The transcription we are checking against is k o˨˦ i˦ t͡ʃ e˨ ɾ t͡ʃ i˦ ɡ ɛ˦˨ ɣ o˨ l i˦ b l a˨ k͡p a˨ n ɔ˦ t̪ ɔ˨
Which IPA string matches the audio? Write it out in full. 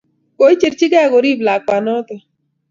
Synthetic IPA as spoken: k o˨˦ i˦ t͡ʃ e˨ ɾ t͡ʃ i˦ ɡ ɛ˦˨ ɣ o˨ ɾ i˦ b l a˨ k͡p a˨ n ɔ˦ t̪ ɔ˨